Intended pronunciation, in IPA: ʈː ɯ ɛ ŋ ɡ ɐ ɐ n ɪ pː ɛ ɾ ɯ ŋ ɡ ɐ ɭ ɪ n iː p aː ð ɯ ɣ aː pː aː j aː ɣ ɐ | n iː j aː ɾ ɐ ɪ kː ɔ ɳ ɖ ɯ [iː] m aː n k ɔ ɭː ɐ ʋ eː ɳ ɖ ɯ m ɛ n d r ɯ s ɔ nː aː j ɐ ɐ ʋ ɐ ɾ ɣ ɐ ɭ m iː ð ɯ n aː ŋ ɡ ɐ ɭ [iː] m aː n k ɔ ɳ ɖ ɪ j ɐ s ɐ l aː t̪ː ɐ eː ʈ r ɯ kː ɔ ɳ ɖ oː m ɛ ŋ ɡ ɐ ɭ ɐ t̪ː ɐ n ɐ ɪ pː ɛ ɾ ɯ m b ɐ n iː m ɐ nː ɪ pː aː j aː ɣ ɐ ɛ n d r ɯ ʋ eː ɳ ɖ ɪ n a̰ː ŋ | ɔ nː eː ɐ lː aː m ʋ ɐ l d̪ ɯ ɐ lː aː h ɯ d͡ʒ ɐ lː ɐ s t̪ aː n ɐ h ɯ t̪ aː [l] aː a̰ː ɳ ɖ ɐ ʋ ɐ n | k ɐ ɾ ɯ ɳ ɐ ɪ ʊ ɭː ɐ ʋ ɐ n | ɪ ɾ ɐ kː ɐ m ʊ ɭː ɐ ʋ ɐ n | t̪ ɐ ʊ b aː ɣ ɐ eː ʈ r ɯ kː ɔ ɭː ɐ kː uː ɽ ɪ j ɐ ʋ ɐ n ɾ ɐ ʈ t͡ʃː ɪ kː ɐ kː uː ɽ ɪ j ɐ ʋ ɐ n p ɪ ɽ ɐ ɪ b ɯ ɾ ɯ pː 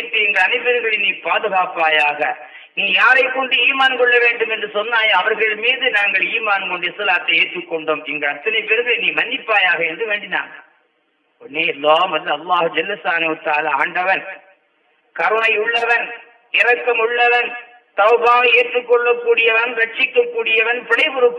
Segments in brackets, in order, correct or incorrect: correct, correct, correct

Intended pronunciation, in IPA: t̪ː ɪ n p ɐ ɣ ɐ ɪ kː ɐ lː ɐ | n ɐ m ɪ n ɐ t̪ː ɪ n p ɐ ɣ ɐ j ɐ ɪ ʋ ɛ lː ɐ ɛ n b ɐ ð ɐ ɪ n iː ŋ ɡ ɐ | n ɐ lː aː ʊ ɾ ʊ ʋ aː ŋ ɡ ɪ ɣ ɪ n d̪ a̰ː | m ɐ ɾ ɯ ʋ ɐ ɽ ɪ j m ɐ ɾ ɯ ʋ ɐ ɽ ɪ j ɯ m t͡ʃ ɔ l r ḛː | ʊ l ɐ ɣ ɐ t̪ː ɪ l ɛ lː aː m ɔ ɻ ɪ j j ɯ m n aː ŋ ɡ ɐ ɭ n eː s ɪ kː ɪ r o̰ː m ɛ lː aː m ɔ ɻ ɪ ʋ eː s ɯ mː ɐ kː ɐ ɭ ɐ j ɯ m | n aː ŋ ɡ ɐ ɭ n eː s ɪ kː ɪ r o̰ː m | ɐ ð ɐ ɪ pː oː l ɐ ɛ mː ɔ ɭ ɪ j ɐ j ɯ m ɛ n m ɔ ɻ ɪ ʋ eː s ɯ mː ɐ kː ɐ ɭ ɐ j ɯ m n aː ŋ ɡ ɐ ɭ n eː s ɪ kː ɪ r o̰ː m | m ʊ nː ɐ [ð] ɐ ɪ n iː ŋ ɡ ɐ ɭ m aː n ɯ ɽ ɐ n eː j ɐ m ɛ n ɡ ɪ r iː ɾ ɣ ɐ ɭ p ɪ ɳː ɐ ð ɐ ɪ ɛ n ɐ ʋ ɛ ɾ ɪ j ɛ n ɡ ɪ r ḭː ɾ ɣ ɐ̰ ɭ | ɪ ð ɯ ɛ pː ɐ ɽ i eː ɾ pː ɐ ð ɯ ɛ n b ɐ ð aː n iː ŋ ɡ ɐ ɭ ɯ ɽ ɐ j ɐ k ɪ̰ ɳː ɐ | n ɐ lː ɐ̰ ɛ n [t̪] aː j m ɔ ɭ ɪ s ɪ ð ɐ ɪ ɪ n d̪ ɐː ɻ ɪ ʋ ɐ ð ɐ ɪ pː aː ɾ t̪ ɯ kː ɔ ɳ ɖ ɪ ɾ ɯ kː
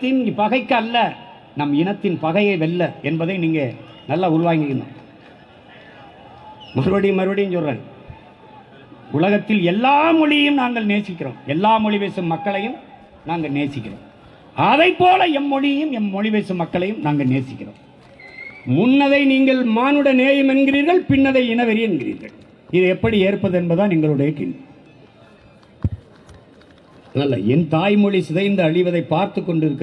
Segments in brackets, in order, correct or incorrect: correct, correct

